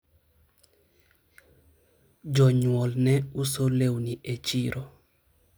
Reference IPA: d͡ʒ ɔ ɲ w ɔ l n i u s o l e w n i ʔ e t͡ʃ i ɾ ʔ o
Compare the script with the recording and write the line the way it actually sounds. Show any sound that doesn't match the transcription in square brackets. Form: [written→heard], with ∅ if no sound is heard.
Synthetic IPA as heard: d͡ʒ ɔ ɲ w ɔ l n [i→ɛ] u s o l e w n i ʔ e t͡ʃ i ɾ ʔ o

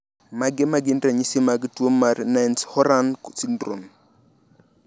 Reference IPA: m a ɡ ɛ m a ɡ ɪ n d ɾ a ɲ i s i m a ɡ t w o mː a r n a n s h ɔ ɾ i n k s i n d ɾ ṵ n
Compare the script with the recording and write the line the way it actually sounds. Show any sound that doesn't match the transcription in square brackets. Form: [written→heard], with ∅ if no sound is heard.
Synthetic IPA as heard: m a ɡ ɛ m a ɡ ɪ n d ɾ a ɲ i s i m a ɡ t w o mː a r n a n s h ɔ ɾ [i→a] n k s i n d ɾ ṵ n

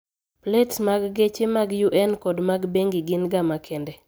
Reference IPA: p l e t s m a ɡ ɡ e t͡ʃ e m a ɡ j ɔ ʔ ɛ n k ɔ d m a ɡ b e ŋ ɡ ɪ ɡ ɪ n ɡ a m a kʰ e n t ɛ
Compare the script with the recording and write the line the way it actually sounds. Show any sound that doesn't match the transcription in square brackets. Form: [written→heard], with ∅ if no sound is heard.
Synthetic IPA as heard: p l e t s m a ɡ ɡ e t͡ʃ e m a ɡ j [ɔ→u] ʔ ɛ n k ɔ d m a ɡ b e ŋ ɡ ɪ ɡ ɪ n ɡ a m a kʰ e n [t→d] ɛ

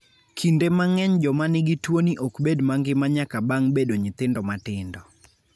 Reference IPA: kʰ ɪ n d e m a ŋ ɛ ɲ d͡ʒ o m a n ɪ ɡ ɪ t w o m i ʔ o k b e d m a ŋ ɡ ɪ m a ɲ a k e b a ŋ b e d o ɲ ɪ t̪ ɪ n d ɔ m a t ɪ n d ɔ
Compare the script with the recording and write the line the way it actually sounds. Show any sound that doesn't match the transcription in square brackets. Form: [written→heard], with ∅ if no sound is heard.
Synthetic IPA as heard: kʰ [ɪ→i] n d e m a ŋ ɛ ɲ d͡ʒ [o→ɔ] m a n ɪ ɡ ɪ t w o [m→n] i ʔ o k b e d m a ŋ ɡ ɪ m a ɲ a k [e→a] b a ŋ b e d o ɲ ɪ t̪ ɪ n d ɔ m a t ɪ n d ɔ

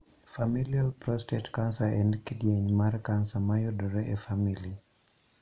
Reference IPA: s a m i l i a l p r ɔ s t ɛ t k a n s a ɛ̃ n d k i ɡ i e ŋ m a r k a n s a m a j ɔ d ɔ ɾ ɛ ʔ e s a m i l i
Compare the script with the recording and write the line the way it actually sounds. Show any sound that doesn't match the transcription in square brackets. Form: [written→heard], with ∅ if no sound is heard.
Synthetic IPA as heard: [s→f] a m i l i a l p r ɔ s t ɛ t k a n s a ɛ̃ n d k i [ɡ→d] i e [ŋ→ɲ] m a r k a n s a m a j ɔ d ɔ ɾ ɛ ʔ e [s→f] a m i l i

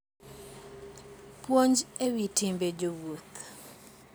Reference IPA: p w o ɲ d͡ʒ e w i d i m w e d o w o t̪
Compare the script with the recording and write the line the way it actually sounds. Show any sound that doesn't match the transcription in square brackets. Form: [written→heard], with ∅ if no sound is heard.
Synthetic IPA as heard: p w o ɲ d͡ʒ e w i [d→t] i m [w→b] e [d→d͡ʒ] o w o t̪

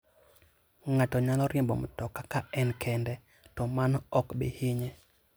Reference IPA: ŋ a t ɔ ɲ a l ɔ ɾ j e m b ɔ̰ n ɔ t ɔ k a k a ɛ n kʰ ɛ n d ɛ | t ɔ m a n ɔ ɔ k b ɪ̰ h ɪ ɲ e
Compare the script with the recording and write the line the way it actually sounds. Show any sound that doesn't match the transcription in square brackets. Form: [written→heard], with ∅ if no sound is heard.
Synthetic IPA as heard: ŋ a t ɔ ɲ a l ɔ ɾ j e m b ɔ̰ [n→m] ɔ t ɔ k a k a ɛ n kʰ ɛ n d ɛ | t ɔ m a n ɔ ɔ k b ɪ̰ h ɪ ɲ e

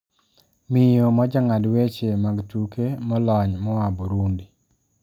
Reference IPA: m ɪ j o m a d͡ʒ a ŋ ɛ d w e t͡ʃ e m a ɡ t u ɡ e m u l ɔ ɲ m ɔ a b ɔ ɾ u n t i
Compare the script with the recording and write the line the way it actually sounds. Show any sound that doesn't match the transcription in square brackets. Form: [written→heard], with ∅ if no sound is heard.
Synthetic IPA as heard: m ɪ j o m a d͡ʒ a ŋ [ɛ→a] d w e t͡ʃ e m a ɡ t u [ɡ→k] e m [u→ɔ] l ɔ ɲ m ɔ a b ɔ ɾ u n [t→d] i

